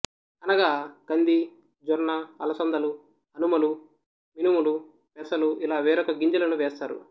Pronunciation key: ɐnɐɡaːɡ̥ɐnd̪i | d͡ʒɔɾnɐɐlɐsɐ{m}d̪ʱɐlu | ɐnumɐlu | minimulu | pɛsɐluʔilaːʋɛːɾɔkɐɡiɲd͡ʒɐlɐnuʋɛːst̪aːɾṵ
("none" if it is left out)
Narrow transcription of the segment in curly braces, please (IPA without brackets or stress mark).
n